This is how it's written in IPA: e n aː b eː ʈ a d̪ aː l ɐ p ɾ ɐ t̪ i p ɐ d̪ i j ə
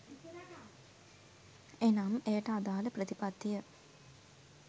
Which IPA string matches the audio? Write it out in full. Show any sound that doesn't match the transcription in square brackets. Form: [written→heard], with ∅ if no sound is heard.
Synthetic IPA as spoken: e n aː [b→m] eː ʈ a d̪ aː l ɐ p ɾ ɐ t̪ i p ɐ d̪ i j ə